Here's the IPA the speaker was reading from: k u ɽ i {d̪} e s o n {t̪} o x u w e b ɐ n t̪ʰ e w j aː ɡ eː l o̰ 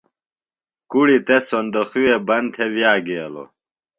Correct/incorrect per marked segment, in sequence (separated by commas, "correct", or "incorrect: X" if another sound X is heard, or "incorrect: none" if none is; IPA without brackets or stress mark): incorrect: t̪, incorrect: d̪